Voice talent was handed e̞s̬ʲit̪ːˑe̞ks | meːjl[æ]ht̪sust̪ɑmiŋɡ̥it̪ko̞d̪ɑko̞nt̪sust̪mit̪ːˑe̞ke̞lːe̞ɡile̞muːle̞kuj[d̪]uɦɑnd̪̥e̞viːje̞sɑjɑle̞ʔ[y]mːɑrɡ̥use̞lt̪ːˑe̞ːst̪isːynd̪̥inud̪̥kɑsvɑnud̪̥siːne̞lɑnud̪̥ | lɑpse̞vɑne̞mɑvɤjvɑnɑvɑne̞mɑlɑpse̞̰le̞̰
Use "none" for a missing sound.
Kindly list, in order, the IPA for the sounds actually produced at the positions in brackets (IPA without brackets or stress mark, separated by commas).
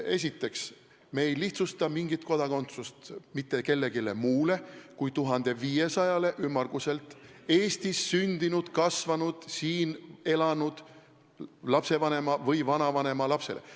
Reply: i, t̪, y